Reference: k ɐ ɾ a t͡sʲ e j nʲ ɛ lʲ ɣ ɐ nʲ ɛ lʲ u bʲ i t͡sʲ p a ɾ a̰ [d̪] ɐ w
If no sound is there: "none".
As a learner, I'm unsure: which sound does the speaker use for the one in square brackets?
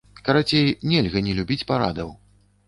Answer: d̪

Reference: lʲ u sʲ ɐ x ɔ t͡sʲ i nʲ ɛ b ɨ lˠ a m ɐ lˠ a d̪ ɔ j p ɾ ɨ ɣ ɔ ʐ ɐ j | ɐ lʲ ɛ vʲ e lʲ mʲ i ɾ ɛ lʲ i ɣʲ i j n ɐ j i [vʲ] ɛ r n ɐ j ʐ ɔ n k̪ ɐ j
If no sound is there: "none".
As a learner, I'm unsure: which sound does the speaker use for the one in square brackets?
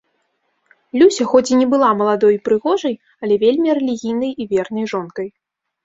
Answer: vʲ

